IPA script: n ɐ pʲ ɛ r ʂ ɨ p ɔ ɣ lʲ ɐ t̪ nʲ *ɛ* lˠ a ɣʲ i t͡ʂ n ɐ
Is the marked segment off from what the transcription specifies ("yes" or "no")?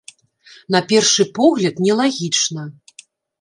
no